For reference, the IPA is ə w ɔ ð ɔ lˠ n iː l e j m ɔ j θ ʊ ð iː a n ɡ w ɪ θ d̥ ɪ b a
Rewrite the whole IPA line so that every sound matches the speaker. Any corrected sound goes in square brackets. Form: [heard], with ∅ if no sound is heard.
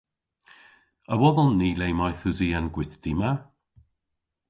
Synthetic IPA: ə w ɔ ð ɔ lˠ n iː l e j m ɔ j θ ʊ [z] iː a n ɡ w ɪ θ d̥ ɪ [m] a